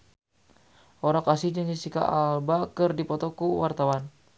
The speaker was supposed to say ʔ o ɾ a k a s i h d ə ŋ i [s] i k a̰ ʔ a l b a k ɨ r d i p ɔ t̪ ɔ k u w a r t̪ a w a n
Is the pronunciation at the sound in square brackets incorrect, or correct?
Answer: correct